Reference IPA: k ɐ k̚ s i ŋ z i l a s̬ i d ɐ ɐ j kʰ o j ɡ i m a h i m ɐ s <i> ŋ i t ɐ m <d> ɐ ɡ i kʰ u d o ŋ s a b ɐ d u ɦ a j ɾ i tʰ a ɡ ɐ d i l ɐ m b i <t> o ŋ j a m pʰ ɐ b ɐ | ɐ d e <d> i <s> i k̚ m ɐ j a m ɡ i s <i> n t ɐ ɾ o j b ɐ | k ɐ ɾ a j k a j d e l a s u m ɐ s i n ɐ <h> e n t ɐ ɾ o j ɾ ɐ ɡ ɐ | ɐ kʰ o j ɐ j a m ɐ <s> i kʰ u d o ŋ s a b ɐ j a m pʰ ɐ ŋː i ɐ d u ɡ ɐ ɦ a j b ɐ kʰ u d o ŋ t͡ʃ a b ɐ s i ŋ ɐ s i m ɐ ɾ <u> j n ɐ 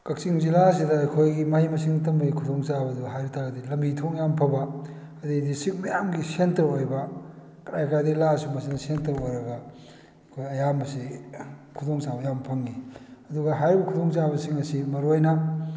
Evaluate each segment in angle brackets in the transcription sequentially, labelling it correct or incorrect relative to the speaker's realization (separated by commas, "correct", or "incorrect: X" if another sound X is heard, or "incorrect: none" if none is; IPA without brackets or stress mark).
correct, incorrect: b, incorrect: tʰ, correct, correct, incorrect: e, incorrect: s, correct, incorrect: o